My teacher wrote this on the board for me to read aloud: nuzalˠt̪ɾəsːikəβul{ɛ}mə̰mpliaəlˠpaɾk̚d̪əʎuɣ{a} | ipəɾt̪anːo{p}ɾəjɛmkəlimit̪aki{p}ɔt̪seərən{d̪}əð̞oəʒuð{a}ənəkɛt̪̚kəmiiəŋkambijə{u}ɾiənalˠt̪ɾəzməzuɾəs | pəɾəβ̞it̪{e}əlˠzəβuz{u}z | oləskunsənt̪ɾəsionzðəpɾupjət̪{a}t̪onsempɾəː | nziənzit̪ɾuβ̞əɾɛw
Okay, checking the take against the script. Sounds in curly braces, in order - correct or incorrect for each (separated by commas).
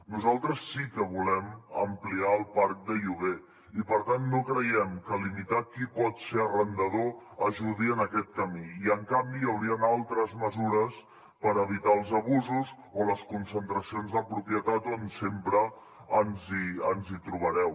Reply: correct, incorrect, incorrect, correct, correct, incorrect, incorrect, incorrect, correct, correct